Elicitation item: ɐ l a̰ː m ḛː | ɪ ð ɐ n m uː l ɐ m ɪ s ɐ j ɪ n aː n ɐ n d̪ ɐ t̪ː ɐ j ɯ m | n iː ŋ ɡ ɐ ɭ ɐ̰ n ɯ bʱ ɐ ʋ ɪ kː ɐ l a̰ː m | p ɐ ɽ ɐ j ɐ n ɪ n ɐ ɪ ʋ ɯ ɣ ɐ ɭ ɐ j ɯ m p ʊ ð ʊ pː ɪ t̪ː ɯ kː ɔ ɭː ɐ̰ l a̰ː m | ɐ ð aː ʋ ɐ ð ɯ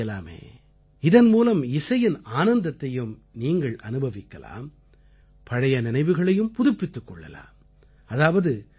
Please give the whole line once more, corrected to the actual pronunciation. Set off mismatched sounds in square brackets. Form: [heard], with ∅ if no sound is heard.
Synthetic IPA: ɐ l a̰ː m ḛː | ɪ ð ɐ n m uː l ɐ m ɪ s ɐ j ɪ n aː n ɐ n d̪ ɐ t̪ː ɐ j ɯ m | n iː ŋ ɡ ɐ ɭ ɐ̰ n ɯ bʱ ɐ ʋ ɪ kː ɐ l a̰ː m | p ɐ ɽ ɐ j ɐ n ɪ n ɐ ɪ ʋ ɯ ɣ ɐ ɭ ɐ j ɯ m p ʊ ð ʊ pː ɪ t̪ː ɯ kː ɔ ɭː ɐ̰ l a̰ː m | ɐ ð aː ʋ ɐ ð ɯ

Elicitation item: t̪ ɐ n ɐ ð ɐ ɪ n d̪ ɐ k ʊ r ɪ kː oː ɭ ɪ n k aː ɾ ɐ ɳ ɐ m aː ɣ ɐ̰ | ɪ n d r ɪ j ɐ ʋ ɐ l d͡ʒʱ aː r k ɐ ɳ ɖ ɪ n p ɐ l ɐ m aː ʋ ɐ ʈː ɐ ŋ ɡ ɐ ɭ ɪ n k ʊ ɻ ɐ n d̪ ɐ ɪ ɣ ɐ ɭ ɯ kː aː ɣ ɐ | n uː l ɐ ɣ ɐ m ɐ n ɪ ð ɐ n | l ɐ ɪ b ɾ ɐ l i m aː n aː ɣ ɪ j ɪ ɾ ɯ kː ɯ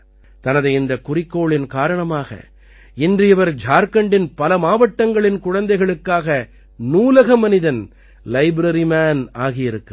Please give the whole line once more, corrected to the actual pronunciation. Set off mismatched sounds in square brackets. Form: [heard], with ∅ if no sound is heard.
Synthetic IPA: t̪ ɐ n ɐ ð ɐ ɪ n d̪ ɐ k ʊ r ɪ kː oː ɭ ɪ n k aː ɾ ɐ ɳ ɐ m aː ɣ ɐ̰ | ɪ n d r ɪ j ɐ ʋ ɐ [ɾ] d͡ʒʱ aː [ɾ] k ɐ ɳ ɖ ɪ n p ɐ l ɐ m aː ʋ ɐ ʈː ɐ ŋ ɡ ɐ ɭ ɪ n k ʊ ɻ ɐ n d̪ ɐ ɪ ɣ ɐ ɭ ɯ kː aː ɣ ɐ | n uː l ɐ ɣ ɐ m ɐ n ɪ ð ɐ n | l ɐ ɪ b ɾ ɐ [ɾ] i m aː n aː ɣ ɪ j ɪ ɾ ɯ kː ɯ

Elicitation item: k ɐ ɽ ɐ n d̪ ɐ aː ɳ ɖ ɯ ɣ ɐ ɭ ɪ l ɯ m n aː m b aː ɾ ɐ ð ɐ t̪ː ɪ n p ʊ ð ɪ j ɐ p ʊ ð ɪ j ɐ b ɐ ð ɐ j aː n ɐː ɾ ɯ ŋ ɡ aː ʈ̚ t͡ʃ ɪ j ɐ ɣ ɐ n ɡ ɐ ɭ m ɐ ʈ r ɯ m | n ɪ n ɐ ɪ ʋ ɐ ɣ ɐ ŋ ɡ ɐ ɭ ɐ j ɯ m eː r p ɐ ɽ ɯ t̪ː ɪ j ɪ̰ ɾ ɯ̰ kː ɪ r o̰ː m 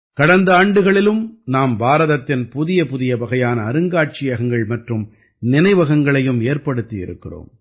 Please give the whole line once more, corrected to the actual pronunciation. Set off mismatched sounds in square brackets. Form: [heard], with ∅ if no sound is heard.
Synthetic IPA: k ɐ ɽ ɐ n d̪ ɐ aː ɳ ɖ ɯ ɣ ɐ ɭ ɪ l ɯ m n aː m b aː ɾ ɐ ð ɐ t̪ː ɪ n p ʊ ð ɪ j ɐ p ʊ ð ɪ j ɐ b ɐ [ɣ] ɐ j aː n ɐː ɾ ɯ ŋ ɡ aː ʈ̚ t͡ʃ ɪ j ɐ ɣ ɐ [ŋ] ɡ ɐ ɭ m ɐ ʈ r ɯ m | n ɪ n ɐ ɪ ʋ ɐ ɣ ɐ ŋ ɡ ɐ ɭ ɐ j ɯ m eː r p ɐ ɽ ɯ t̪ː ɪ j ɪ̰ ɾ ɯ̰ kː ɪ r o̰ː m

